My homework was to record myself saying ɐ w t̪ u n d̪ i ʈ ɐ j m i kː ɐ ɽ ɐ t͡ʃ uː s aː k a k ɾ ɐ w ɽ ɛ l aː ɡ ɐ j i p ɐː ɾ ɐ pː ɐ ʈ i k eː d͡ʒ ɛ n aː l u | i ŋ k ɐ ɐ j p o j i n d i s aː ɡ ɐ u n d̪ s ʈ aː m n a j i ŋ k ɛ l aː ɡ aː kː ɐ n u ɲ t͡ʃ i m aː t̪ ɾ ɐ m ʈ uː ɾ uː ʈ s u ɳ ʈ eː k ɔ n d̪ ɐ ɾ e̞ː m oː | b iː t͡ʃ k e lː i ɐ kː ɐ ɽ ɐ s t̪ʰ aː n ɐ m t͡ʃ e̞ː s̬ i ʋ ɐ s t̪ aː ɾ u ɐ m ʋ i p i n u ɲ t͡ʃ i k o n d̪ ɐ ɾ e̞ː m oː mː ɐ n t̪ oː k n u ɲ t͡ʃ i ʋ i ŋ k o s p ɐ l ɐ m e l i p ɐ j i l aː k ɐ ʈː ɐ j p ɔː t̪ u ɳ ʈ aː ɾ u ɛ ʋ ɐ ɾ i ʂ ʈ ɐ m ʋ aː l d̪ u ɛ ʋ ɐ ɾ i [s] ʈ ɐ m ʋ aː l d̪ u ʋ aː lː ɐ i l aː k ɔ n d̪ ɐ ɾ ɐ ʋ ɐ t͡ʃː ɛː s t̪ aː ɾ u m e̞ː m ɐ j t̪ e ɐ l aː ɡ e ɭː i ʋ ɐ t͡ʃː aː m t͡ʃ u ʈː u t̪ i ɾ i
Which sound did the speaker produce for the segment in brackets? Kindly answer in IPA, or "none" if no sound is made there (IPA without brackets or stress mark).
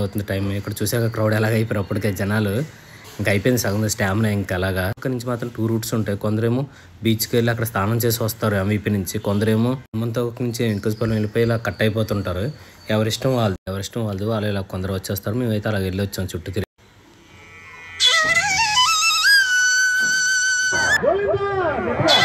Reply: ʂ